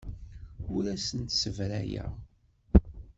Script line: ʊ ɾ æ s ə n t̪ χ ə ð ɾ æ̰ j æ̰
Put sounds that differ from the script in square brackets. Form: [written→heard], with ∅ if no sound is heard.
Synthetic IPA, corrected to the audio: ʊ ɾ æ s ə n t̪ [χ→s] ə [ð→v] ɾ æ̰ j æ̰

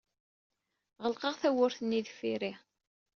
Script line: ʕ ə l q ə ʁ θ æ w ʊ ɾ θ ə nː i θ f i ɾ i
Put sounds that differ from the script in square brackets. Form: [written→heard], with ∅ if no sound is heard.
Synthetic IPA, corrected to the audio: [ʕ→ʁ] ə l q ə ʁ θ æ w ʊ ɾ θ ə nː i [θ→ð] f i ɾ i

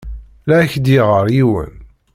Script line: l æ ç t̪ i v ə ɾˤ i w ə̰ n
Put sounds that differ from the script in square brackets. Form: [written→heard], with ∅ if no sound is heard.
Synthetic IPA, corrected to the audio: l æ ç [t̪→d̪] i [v→ʁ] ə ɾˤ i w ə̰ n

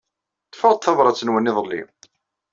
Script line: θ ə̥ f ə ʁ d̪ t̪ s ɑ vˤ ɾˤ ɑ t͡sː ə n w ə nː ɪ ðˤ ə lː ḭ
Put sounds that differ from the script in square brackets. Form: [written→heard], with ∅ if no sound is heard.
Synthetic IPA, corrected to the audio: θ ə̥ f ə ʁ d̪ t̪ [s→θ] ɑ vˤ ɾˤ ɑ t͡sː ə n w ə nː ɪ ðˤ ə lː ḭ

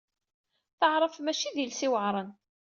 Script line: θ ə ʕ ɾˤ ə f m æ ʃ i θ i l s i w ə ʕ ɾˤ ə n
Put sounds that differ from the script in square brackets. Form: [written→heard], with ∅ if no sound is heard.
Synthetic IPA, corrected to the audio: θ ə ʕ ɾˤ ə f m æ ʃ i [θ→ð] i l s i w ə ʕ ɾˤ ə n

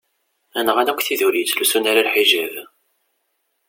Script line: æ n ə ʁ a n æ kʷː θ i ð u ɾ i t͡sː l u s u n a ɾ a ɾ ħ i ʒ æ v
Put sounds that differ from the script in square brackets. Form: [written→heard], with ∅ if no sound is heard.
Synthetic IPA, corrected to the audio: æ n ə ʁ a n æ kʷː θ i ð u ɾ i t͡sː l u s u n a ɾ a [ɾ→l] ħ i ʒ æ v

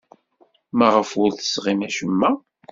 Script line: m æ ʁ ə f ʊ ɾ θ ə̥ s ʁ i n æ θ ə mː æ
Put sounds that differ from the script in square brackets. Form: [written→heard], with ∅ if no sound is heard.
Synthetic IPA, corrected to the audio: m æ ʁ ə f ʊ ɾ θ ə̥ s ʁ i [n→m] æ [θ→ʃ] ə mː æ

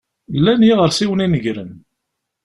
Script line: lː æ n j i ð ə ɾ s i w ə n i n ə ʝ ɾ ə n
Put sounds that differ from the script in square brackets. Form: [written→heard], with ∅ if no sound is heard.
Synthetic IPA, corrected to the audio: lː æ n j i [ð→ʁ] ə ɾ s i w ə n i n ə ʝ ɾ ə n

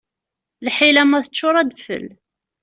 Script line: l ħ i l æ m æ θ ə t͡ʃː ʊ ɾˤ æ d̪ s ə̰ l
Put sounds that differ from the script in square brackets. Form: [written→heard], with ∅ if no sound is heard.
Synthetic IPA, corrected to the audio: l ħ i l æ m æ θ ə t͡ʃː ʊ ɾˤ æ d̪ [s→f] ə̰ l

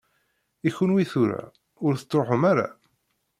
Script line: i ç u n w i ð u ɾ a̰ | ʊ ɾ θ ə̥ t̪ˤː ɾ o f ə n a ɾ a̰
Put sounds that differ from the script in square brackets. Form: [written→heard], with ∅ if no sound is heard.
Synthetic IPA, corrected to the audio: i ç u n w i [ð→θ] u ɾ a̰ | ʊ ɾ θ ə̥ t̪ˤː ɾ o [f→ħ] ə [n→m] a ɾ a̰

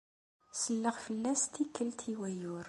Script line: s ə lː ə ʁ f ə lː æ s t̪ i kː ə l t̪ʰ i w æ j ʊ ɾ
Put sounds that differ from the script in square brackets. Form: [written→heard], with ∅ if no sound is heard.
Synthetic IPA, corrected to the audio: s ə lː ə ʁ f ə lː æ s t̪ i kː ə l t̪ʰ i w æ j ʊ ɾ

